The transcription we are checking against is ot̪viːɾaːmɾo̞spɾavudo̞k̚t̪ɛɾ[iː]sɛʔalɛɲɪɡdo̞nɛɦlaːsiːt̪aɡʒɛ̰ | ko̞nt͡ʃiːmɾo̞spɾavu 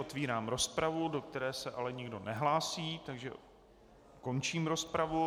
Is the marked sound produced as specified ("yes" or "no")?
no